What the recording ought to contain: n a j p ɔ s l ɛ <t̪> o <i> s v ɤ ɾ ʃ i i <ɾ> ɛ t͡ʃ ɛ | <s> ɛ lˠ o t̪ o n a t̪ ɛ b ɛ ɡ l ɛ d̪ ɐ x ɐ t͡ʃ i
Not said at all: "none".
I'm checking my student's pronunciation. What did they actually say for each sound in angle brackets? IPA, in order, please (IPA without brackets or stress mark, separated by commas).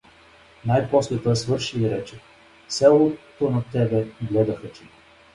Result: t̪, ɛ, ɾ, s